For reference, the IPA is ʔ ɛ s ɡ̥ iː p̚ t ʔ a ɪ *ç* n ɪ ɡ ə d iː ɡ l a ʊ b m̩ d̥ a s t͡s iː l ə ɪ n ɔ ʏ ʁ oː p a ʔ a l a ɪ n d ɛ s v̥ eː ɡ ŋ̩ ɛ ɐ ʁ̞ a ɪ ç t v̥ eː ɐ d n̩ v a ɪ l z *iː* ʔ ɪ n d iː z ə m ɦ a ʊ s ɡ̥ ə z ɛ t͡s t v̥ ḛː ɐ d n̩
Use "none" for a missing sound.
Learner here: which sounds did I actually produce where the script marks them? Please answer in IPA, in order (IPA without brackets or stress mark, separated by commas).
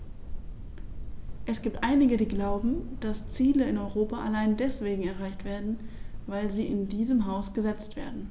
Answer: none, iː